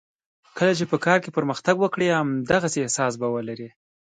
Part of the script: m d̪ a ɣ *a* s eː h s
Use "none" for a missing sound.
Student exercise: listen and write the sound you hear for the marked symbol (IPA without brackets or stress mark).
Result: a